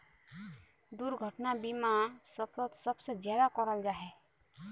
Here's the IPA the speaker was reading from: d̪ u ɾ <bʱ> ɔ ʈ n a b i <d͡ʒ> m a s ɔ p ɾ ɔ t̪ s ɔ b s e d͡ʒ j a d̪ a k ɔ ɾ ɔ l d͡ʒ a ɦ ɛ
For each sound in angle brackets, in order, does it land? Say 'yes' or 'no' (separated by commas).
no, no